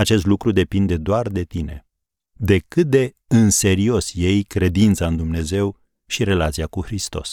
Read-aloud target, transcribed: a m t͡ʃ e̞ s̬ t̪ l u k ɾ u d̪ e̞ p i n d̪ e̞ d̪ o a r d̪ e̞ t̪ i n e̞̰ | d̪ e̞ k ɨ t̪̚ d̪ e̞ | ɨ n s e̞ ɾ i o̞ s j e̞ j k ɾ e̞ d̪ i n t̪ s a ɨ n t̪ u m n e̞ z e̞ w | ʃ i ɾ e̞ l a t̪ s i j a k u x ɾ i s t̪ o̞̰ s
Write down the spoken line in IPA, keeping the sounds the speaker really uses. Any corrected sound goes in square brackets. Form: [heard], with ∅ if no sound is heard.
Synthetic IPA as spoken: a [∅] t͡ʃ e̞ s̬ t̪ l u k ɾ u d̪ e̞ p i n d̪ e̞ d̪ o a r d̪ e̞ t̪ i n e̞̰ | d̪ e̞ k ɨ t̪̚ d̪ e̞ | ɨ n s e̞ ɾ i o̞ s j e̞ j k ɾ e̞ d̪ i n t̪ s a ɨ n [d̪] u m n e̞ z e̞ w | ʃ i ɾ e̞ l a t̪ s i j a k u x ɾ i s t̪ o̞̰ s